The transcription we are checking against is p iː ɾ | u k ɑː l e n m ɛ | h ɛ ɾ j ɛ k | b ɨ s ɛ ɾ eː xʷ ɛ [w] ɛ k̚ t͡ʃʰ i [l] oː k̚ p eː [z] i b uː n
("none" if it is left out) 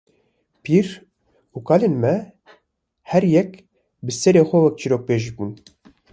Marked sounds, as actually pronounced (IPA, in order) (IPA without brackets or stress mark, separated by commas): w, ɾ, ʒ